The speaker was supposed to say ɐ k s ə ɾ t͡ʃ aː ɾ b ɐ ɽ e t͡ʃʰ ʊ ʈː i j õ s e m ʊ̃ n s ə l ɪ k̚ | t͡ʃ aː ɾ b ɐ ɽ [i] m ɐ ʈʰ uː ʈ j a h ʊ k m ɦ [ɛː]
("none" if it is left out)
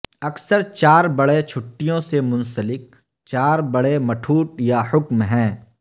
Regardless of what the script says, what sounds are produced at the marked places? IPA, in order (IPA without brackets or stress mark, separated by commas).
e, ɛ̃ː